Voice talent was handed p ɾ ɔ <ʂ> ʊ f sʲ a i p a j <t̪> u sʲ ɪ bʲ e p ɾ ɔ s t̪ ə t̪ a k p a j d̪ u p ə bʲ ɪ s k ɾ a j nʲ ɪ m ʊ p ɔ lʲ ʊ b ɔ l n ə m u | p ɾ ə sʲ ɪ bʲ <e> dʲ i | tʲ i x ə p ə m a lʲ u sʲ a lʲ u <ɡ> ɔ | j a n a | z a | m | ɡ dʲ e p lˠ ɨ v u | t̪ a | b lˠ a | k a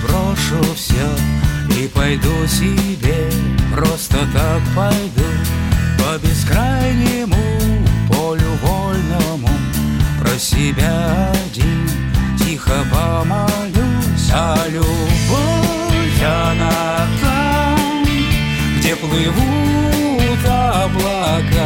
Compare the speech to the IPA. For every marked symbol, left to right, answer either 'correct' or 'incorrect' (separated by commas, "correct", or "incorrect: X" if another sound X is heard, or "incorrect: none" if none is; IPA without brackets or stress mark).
correct, incorrect: d̪, incorrect: a, incorrect: b